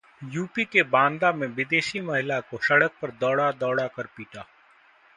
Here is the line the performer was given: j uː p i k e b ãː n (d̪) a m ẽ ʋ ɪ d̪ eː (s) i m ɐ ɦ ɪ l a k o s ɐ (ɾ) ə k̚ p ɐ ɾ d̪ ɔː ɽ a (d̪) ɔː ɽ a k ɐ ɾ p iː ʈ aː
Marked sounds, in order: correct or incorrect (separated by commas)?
correct, incorrect, incorrect, correct